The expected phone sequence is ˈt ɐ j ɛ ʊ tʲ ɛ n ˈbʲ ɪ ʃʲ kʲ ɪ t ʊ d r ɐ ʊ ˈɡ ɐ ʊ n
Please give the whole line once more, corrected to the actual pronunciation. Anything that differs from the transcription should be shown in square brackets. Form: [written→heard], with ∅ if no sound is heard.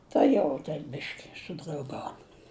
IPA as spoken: ˈt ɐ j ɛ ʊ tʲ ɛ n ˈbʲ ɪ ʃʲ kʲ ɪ [t→s] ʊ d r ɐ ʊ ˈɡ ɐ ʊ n